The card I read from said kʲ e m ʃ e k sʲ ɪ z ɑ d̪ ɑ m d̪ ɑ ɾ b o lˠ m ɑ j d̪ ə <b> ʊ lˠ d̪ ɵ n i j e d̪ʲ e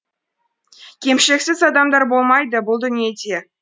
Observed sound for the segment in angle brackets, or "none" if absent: b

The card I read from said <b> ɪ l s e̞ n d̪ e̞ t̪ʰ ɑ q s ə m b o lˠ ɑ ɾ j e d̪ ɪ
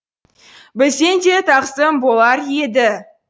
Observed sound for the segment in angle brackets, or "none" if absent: b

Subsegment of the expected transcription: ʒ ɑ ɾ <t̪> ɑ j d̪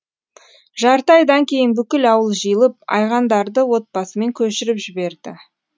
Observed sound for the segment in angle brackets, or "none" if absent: t̪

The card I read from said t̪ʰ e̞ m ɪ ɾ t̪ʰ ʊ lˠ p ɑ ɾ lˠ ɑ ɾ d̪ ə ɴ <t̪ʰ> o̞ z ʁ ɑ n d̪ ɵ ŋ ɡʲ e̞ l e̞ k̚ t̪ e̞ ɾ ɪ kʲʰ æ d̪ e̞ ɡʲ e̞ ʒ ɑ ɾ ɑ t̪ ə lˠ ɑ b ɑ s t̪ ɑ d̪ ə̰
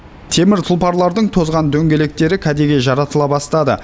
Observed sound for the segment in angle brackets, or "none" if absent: t̪ʰ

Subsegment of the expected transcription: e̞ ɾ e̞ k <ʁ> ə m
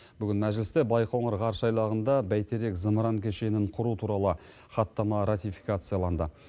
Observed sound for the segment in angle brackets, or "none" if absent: z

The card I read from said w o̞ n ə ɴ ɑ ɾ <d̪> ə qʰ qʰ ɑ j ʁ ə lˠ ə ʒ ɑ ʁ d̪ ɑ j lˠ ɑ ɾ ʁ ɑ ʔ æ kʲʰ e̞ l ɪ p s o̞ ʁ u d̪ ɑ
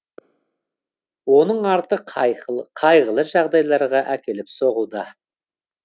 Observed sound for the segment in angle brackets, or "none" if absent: t̪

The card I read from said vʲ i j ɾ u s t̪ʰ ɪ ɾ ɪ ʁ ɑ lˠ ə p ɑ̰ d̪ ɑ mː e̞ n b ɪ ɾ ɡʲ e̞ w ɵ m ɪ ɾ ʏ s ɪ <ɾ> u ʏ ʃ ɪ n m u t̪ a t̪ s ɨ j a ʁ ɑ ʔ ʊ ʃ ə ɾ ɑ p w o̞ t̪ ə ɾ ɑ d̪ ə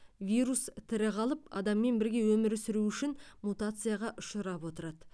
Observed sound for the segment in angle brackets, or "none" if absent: ɾ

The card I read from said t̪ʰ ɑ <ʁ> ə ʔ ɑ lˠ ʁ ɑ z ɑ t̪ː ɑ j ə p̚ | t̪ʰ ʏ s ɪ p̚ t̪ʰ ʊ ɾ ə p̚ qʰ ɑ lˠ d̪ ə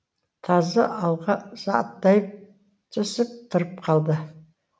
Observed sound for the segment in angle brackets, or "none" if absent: z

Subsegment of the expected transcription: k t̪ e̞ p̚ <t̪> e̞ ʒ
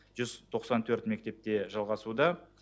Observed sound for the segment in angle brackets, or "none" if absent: t̪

